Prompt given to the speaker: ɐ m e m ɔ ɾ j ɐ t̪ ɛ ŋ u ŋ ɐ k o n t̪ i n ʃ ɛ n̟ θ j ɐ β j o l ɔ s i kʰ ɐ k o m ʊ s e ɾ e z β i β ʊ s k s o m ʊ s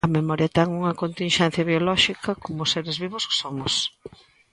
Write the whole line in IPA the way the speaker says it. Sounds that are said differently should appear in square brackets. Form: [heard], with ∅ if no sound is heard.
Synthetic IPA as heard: ɐ m e m ɔ ɾ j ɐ t̪ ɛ ŋ u ŋ ɐ k o n t̪ i n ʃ ɛ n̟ θ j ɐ β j o l ɔ [ʃ] i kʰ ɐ k o m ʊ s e ɾ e z β i β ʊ s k s o m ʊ s

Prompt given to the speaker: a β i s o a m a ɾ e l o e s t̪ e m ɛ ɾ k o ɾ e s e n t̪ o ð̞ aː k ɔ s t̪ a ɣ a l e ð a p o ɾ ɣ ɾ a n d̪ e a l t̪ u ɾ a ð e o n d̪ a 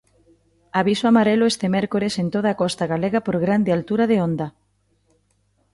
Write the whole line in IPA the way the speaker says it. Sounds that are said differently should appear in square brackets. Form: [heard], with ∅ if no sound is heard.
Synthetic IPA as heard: a β i s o a m a ɾ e l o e s t̪ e m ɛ ɾ k o ɾ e s e n t̪ o ð̞ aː k ɔ s t̪ a ɣ a l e [ɣ] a p o ɾ ɣ ɾ a n d̪ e a l t̪ u ɾ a ð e o n d̪ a

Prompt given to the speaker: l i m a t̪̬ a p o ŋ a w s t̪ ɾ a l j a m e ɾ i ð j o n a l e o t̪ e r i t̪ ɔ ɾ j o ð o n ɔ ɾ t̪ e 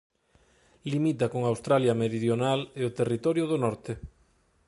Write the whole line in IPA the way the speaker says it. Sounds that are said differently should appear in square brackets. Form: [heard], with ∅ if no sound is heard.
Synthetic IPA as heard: l i m [i] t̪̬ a [k] o ŋ a w s t̪ ɾ a l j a m e ɾ i ð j o n a l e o t̪ e r i t̪ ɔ ɾ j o ð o n ɔ ɾ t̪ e

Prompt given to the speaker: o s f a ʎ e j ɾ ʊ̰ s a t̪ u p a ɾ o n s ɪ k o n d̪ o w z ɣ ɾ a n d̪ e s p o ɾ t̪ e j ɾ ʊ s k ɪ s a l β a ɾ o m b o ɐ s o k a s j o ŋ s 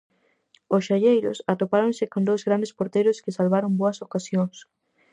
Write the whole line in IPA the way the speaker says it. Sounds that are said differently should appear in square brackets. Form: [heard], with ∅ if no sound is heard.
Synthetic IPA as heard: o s [ʃ] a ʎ e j ɾ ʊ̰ s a t̪ [o] p a ɾ o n s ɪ k o n d̪ o w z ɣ ɾ a n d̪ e s p o ɾ t̪ e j ɾ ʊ s k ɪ s a l β a ɾ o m b o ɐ s o k a s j o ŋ s

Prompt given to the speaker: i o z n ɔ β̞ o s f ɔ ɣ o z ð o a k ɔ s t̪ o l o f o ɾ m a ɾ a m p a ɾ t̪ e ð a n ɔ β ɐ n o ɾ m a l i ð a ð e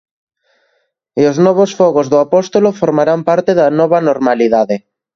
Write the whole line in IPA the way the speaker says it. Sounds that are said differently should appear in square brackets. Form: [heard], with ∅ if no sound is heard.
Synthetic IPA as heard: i o z n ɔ β̞ o s f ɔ ɣ o z ð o a [p] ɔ s t̪ o l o f o ɾ m a ɾ a m p a ɾ t̪ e ð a n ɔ β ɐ n o ɾ m a l i ð a ð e

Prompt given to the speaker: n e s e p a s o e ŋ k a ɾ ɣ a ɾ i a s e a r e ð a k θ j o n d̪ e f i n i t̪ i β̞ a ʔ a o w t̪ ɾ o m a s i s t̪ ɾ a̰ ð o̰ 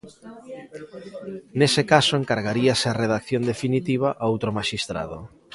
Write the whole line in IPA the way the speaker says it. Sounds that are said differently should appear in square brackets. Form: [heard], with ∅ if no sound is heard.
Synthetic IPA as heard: n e s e [k] a s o e ŋ k a ɾ ɣ a ɾ i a s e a r e ð a k θ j o n d̪ e f i n i t̪ i β̞ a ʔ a o w t̪ ɾ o m a [ʃ] i s t̪ ɾ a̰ ð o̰

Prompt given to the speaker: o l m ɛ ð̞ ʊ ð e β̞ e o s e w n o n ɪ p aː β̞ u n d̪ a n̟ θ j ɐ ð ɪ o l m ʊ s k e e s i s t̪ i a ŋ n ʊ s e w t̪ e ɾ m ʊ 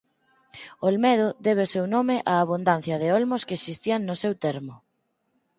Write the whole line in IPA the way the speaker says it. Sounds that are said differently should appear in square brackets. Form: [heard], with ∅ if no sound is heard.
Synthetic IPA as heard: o l m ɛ ð̞ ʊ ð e β̞ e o s e w n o [m] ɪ [ʔ] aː β̞ u n d̪ a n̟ θ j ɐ ð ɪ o l m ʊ s k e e s i s t̪ i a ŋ n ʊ s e w t̪ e ɾ m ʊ

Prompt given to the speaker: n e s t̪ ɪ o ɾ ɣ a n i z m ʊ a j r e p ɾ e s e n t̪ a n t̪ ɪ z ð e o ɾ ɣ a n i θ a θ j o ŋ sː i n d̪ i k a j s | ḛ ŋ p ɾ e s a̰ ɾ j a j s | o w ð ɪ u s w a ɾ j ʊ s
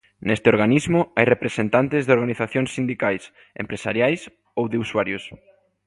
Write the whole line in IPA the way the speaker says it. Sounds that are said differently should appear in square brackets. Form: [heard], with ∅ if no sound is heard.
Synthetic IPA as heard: n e s t̪ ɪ o ɾ ɣ a n i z m ʊ a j r e p ɾ e s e n t̪ a n t̪ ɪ z ð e o ɾ ɣ a n i θ a θ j o ŋ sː i n d̪ i k a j s | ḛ [m] p ɾ e s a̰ ɾ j a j s | o w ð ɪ u s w a ɾ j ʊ s

